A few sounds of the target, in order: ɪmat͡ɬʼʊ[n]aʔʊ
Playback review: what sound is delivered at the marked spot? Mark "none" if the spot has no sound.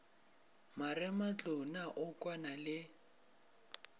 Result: n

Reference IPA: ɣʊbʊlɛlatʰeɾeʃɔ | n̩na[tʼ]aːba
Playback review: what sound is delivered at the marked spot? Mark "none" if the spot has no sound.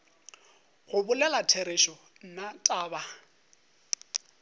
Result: tʼ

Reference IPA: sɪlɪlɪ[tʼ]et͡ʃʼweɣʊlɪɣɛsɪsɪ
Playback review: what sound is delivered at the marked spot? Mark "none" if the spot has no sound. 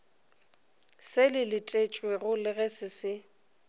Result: tʼ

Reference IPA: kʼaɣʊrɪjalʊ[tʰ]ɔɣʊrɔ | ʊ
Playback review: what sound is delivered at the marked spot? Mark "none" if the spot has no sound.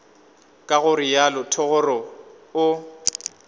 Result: tʰ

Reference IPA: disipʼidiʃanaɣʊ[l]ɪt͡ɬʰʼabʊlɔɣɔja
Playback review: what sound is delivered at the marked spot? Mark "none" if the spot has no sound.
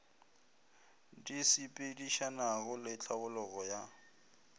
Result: l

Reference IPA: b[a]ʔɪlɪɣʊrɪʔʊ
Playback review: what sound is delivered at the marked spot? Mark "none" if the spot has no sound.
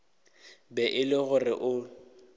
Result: ɛ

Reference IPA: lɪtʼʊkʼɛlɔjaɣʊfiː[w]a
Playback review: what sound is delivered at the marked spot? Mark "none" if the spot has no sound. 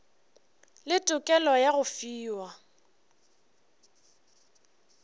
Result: w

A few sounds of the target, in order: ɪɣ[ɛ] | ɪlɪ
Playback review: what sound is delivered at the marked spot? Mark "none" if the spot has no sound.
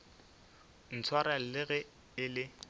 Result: ɛ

